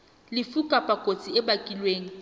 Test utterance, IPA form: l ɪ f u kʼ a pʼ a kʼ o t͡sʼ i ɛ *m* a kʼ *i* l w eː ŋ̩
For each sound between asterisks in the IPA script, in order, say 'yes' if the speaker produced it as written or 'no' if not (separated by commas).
no, yes